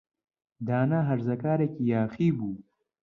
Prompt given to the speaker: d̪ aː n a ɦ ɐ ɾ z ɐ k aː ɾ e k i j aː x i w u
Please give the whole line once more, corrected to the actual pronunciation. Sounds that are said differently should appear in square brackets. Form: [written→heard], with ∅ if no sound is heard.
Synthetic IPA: d̪ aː n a ɦ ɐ ɾ z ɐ k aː ɾ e k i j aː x i [w→b] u